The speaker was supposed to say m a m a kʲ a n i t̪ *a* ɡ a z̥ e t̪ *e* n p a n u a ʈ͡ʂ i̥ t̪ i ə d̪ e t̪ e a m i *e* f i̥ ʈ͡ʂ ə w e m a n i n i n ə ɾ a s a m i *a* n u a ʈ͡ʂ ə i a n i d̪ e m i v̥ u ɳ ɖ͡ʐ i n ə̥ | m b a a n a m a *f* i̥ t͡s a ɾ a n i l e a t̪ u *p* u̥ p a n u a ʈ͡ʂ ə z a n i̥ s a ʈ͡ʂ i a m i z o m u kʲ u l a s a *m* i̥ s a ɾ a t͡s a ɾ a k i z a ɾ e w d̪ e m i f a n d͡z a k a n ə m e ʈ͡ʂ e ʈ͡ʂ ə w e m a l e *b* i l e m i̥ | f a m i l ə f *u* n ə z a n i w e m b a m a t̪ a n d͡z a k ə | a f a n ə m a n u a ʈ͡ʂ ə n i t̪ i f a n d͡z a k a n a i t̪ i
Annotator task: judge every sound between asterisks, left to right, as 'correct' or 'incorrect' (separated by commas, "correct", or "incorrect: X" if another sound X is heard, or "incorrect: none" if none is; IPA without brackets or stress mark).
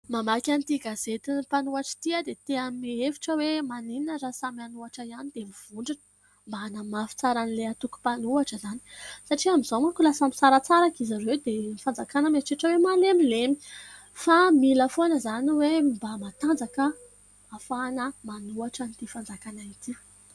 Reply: incorrect: i, incorrect: i, correct, correct, correct, incorrect: k, correct, incorrect: m, incorrect: o